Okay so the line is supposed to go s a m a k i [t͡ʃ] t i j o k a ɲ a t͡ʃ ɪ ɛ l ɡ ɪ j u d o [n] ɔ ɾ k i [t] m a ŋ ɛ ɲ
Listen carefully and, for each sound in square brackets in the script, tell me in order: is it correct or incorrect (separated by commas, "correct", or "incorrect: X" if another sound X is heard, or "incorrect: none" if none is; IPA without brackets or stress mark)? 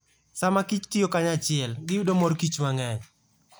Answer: correct, incorrect: m, incorrect: t͡ʃ